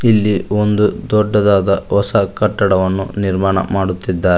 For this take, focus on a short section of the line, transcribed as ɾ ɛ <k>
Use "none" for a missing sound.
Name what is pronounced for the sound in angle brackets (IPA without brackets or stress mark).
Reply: none